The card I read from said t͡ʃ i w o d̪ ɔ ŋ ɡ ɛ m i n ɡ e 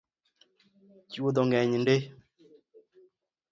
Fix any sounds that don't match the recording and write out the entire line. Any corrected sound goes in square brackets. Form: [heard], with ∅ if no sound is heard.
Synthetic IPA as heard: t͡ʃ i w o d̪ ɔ ŋ ɡ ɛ [ɲ] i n [d] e